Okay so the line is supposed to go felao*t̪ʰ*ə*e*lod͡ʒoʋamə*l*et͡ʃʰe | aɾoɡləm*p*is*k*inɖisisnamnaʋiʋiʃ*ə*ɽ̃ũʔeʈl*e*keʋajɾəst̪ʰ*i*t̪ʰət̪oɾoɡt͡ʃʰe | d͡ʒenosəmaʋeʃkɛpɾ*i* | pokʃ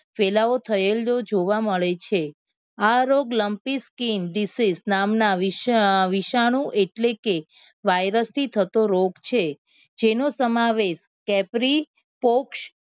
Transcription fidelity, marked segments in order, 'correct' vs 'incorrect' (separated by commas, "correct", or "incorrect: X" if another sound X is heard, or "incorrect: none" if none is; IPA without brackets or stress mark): correct, correct, incorrect: ɭ, correct, correct, incorrect: a, correct, correct, correct